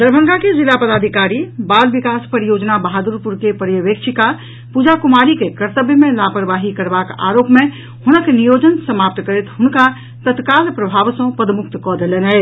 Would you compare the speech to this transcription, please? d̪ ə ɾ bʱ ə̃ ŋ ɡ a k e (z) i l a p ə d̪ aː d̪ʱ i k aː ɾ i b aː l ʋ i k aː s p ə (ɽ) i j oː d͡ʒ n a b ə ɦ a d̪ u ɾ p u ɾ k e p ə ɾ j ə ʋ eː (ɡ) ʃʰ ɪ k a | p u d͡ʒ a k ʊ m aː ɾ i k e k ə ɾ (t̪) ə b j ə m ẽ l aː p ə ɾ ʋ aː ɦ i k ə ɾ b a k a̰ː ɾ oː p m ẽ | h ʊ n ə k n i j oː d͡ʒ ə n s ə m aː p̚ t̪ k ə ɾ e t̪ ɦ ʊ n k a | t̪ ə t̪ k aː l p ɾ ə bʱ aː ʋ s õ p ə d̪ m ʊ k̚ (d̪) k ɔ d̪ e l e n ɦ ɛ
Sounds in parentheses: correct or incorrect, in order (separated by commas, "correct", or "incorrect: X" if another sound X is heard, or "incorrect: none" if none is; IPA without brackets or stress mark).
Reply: correct, incorrect: ɾ, incorrect: k, correct, incorrect: t̪